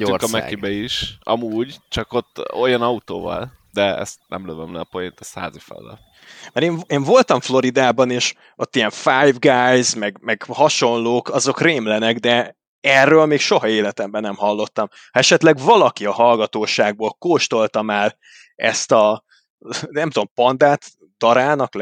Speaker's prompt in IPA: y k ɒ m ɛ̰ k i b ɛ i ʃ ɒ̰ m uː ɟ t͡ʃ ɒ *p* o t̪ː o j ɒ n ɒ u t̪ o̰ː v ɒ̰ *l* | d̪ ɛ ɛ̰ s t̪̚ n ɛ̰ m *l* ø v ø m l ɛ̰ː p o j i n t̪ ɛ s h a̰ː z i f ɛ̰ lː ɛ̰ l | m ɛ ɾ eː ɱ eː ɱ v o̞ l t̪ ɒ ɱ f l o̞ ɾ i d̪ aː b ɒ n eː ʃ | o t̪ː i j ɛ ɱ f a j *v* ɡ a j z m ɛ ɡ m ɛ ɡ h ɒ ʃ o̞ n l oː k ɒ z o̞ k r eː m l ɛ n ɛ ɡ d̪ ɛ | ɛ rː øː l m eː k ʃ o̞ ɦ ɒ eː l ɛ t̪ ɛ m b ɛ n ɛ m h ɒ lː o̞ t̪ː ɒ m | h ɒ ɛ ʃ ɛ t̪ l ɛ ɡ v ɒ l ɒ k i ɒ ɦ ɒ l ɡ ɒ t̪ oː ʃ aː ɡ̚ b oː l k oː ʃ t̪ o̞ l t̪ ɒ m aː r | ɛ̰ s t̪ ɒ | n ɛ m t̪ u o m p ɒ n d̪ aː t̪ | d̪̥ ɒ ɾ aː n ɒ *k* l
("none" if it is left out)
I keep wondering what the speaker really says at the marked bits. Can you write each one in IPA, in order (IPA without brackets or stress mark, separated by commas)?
k, l, l, v, k